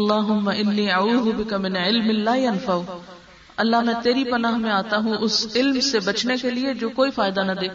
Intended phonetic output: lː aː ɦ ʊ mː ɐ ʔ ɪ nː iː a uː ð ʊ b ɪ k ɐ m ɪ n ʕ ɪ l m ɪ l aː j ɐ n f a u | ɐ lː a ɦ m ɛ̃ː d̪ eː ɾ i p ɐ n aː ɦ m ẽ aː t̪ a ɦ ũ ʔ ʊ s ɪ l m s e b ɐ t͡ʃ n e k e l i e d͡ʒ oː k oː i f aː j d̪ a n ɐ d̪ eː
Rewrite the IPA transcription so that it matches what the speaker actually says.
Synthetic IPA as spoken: lː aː ɦ ʊ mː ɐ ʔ ɪ nː iː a uː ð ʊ b ɪ k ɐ m ɪ n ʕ ɪ l m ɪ l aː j ɐ n f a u | ɐ lː a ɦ m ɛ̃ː t̪ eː ɾ i p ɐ n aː ɦ m ẽ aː t̪ a ɦ ũ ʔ ʊ s ɪ l m s e b ɐ t͡ʃ n e k e l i e d͡ʒ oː k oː i f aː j d̪ a n ɐ d̪ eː